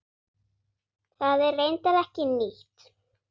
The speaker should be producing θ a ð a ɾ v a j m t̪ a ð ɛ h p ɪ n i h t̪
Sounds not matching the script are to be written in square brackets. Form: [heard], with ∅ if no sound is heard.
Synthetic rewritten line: θ a ð [ɛ] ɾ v [e] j [n] t̪ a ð ɛ h [c] ɪ n i h t̪